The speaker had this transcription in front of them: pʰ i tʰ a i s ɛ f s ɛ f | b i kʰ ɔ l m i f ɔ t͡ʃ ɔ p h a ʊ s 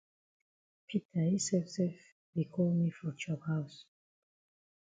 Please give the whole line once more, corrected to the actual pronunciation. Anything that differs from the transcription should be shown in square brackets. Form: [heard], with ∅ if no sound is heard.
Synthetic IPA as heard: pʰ i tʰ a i s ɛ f s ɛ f | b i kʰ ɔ l m i f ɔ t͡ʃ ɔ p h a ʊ s